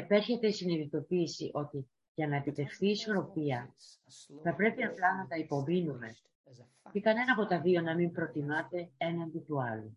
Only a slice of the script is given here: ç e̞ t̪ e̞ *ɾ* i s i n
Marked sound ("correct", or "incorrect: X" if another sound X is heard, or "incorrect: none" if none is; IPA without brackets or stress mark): incorrect: none